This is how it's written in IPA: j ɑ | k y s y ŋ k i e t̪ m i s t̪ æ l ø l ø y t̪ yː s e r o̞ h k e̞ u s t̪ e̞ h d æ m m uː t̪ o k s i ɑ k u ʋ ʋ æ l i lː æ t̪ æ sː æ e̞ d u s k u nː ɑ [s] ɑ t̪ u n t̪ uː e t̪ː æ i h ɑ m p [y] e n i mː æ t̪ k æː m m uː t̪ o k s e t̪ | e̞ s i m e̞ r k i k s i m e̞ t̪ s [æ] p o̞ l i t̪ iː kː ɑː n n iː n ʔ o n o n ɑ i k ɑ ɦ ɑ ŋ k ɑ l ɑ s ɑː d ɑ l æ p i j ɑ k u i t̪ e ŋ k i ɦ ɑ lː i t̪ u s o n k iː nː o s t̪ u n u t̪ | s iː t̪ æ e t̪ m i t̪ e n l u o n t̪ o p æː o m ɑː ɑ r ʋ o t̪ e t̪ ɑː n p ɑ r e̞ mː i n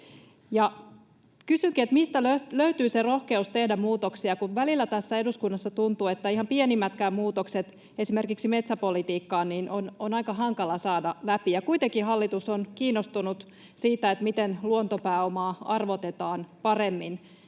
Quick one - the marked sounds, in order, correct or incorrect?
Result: incorrect, incorrect, correct

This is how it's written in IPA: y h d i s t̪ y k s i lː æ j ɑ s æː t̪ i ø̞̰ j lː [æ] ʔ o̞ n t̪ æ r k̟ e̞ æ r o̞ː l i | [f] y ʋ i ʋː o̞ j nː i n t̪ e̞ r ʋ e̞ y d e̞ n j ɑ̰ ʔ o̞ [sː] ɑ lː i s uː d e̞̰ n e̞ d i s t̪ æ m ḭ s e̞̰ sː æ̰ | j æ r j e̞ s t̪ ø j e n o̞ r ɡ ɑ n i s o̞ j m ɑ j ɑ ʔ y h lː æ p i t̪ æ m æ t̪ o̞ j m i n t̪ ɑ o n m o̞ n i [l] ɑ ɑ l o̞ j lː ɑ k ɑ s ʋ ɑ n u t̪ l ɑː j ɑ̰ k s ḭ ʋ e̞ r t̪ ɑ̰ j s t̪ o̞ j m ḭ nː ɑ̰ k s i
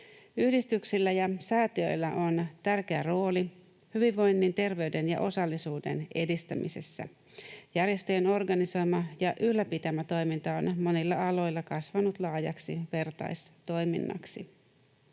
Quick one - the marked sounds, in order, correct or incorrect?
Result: correct, incorrect, incorrect, incorrect

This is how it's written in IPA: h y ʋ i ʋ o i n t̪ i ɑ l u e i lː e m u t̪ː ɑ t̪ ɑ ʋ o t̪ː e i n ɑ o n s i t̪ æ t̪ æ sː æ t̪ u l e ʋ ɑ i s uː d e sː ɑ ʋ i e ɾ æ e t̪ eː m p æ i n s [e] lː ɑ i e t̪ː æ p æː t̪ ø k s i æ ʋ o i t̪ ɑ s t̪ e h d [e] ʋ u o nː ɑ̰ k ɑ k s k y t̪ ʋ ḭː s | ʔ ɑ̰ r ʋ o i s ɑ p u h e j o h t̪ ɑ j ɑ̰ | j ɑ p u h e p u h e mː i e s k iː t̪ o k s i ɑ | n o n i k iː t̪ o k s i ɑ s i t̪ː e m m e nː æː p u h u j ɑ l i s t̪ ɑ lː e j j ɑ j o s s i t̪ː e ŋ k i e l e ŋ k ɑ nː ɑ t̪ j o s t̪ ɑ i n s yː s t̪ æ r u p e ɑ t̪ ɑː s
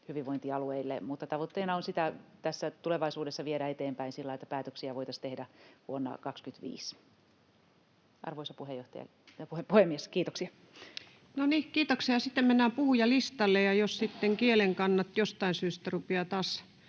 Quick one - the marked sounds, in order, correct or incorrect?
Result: incorrect, incorrect

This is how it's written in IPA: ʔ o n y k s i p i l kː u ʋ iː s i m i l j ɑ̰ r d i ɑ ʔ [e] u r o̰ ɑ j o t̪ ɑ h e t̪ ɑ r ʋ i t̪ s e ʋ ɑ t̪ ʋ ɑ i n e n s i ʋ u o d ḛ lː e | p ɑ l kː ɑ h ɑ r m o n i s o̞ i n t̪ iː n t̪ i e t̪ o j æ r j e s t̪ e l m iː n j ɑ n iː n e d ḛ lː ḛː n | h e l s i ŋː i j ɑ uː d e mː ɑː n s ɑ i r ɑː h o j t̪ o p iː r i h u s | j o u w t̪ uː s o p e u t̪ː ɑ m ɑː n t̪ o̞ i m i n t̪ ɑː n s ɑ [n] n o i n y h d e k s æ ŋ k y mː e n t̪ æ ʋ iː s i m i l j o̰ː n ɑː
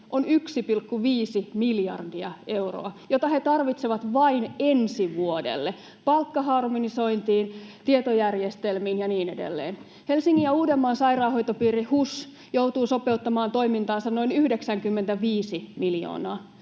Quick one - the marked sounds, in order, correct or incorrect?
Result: correct, correct

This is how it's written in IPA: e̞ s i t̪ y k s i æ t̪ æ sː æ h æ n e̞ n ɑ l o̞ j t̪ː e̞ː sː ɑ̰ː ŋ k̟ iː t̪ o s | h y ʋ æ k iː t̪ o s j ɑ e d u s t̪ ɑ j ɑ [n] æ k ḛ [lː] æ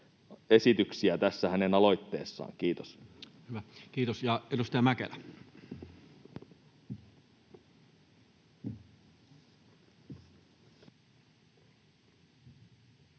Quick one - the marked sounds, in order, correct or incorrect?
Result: incorrect, incorrect

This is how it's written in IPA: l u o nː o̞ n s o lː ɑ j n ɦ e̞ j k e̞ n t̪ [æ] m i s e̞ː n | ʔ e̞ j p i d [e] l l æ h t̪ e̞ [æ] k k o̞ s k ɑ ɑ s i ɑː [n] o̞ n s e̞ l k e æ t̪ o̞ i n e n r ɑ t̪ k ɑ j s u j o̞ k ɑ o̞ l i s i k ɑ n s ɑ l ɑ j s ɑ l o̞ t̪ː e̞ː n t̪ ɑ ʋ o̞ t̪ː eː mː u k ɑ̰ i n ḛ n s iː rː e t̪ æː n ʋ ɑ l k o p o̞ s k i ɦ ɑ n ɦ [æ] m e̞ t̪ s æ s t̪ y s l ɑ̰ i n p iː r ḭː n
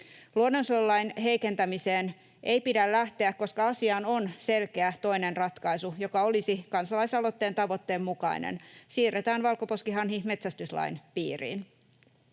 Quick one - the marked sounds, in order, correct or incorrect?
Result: correct, incorrect, correct, correct, incorrect

